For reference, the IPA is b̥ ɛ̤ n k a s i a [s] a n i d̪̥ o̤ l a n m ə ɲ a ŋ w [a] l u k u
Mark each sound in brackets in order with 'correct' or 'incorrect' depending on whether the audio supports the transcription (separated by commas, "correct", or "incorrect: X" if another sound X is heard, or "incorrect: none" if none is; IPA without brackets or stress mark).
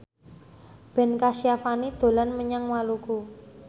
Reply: incorrect: f, correct